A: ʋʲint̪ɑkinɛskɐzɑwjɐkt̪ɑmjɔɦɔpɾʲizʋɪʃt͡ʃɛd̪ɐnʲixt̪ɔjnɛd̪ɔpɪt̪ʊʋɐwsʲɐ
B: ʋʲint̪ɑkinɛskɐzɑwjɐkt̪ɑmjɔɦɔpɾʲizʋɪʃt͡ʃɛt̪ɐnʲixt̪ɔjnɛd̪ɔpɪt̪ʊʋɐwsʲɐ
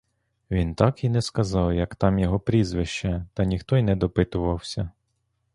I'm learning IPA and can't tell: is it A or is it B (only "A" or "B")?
B